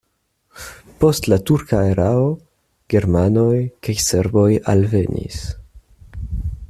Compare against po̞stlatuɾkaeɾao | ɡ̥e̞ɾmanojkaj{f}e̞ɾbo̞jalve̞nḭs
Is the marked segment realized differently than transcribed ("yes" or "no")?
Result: yes